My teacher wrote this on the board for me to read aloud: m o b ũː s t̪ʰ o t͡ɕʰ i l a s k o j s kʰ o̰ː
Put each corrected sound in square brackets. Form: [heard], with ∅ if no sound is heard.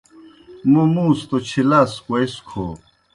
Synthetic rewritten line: m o [m] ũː s [t̪] o t͡ɕʰ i l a s k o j s kʰ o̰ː